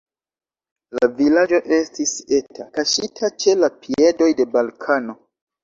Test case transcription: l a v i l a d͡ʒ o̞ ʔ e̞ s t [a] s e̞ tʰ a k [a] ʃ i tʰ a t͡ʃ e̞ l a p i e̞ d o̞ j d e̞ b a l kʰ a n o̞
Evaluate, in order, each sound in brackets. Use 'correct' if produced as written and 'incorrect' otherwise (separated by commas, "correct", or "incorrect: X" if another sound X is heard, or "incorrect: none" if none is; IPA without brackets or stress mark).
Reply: incorrect: i, correct